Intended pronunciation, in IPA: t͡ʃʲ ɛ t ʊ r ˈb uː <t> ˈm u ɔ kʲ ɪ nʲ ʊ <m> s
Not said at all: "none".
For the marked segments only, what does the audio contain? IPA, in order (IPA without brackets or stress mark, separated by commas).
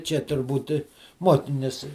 t, none